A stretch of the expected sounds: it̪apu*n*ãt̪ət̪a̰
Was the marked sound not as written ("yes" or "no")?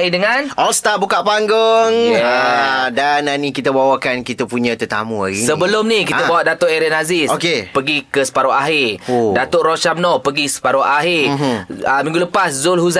yes